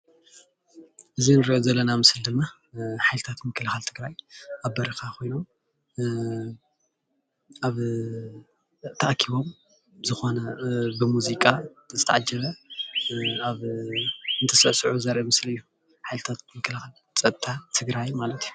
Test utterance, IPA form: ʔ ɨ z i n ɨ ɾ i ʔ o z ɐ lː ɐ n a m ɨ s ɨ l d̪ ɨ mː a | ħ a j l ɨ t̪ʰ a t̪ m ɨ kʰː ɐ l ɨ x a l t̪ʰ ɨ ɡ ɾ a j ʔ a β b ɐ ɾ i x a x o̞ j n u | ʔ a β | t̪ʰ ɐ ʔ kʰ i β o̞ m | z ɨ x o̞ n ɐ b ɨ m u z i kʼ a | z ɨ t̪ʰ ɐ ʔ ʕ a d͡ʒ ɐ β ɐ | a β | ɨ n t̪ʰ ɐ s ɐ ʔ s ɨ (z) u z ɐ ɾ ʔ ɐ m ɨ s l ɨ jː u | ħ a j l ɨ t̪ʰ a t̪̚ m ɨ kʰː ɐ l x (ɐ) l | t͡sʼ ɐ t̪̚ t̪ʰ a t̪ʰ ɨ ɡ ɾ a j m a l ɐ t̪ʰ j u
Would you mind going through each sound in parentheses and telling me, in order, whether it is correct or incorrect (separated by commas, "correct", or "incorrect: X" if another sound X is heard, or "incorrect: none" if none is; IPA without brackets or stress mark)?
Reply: incorrect: ʕ, incorrect: a